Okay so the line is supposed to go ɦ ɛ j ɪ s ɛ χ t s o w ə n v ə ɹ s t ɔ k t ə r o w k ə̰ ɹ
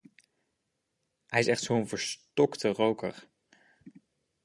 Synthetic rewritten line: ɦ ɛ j ɪ s ɛ χ t s o w ə n v ə ɹ s t ɔ k t ə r o w k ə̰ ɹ